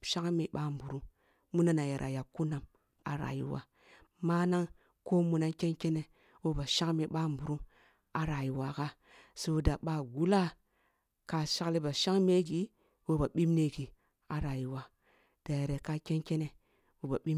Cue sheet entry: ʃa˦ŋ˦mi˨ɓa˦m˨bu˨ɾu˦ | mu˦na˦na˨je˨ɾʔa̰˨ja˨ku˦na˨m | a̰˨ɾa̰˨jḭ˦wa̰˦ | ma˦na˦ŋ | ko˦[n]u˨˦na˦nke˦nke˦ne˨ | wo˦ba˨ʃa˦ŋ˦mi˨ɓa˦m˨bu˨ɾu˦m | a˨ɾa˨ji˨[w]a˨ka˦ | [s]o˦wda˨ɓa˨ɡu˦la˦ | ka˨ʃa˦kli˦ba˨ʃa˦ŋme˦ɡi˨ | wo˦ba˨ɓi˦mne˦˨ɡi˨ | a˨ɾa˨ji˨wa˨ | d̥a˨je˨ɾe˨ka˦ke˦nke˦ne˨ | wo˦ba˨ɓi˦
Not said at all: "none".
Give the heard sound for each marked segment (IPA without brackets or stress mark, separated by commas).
m, w, s